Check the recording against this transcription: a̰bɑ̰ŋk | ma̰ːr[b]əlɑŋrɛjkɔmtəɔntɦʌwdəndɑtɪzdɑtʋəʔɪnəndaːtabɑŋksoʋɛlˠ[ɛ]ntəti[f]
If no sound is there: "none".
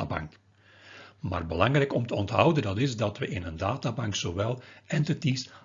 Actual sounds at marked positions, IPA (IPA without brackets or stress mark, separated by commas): b, ɛ, s